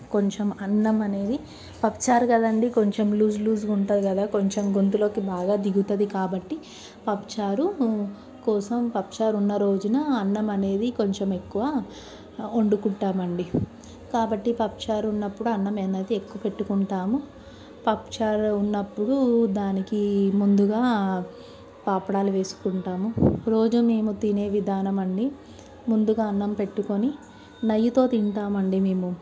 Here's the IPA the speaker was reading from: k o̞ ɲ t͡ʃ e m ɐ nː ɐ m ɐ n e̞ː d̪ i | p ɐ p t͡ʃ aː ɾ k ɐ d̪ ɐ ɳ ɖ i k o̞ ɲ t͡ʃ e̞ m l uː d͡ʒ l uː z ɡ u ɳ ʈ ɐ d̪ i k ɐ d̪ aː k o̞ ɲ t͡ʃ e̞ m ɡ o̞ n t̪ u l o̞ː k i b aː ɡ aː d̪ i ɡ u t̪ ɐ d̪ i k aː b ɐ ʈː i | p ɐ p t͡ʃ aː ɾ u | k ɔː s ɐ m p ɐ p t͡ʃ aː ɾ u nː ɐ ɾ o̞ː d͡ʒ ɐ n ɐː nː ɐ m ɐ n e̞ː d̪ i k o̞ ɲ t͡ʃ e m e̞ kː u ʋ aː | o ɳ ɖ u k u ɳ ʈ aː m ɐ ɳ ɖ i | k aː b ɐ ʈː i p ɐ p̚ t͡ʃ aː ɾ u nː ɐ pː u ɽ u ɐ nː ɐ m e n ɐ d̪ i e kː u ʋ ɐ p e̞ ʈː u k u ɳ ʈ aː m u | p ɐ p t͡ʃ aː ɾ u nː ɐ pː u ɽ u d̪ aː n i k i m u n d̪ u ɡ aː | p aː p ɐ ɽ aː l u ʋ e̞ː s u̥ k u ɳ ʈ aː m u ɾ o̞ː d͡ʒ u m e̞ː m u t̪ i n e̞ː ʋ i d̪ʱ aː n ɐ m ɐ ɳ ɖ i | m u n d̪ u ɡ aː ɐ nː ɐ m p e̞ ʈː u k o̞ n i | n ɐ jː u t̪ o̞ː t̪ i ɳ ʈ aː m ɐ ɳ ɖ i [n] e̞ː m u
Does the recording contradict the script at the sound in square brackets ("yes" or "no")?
yes